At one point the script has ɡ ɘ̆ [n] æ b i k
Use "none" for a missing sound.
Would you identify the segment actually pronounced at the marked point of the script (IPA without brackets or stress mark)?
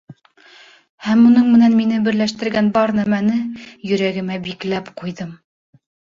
m